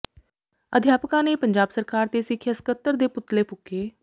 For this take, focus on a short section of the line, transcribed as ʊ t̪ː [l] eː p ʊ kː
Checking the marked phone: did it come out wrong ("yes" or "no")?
no